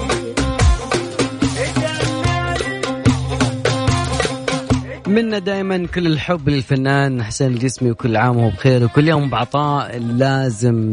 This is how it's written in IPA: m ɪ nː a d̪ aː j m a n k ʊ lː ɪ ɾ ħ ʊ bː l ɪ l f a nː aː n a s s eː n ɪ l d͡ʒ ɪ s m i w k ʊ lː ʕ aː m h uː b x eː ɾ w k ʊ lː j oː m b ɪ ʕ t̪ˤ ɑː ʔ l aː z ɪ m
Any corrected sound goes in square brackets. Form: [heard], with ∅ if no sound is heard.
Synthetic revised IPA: m ɪ nː a d̪ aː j m a n k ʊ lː ɪ [l] ħ ʊ bː l ɪ l f a nː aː n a [ħ] s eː n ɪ l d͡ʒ ɪ s m i w k ʊ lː ʕ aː m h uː b x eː ɾ w k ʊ lː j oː m b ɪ ʕ t̪ˤ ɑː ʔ l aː z ɪ m